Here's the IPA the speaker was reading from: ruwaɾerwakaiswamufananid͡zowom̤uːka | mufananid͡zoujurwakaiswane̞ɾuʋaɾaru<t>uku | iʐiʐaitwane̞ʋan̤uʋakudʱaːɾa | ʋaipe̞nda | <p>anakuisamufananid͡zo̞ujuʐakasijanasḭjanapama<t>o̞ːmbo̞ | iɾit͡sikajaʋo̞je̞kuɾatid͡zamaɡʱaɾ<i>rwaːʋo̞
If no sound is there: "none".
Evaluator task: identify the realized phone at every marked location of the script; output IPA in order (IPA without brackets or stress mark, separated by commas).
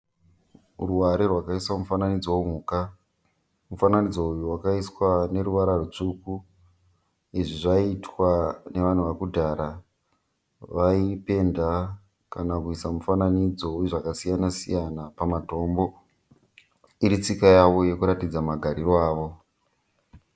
t͡ʂ, k, t, i